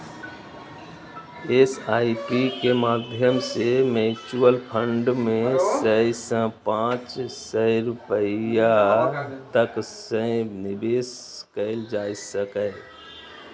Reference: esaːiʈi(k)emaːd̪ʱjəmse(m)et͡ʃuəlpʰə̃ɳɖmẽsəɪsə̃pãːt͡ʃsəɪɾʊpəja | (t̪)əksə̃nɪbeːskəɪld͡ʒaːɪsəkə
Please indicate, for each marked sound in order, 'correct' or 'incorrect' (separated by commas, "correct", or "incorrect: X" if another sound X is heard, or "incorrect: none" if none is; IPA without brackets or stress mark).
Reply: correct, correct, correct